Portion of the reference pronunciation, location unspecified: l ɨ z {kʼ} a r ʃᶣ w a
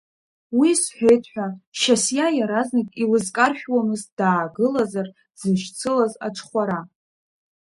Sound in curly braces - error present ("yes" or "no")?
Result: no